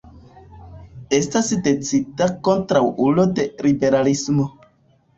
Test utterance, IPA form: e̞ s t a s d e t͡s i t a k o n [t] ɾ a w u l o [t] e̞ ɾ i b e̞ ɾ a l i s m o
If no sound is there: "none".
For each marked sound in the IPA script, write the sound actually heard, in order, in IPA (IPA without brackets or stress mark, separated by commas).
t, d